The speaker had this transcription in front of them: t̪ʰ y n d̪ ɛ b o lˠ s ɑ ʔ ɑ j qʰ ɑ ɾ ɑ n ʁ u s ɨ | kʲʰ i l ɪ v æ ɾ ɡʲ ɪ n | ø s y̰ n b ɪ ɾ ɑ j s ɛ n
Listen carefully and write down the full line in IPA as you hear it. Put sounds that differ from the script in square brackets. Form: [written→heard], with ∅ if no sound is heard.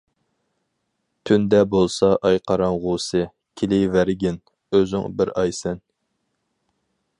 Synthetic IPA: t̪ʰ y n d̪ ɛ b o lˠ s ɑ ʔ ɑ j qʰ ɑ ɾ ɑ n ʁ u s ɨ | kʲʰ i l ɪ v æ ɾ ɡʲ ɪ n | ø [s→z] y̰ [n→ŋ] b ɪ ɾ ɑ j s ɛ n